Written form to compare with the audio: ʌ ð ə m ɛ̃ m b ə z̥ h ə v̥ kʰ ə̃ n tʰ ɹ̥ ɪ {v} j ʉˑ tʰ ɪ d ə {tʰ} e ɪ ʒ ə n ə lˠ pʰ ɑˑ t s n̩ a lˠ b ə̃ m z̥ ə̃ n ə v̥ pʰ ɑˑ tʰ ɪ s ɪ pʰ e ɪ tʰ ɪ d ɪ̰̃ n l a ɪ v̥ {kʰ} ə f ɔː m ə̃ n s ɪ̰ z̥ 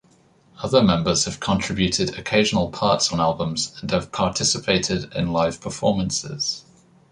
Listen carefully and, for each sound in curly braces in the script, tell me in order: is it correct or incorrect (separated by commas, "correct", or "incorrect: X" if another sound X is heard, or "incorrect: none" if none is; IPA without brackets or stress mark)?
incorrect: b, incorrect: kʰ, incorrect: pʰ